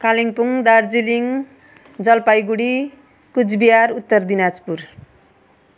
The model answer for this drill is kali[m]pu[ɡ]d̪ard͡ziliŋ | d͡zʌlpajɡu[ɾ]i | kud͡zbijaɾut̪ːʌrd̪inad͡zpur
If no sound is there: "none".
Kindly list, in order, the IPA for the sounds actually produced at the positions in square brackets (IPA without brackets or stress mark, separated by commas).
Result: ŋ, ŋ, ɽ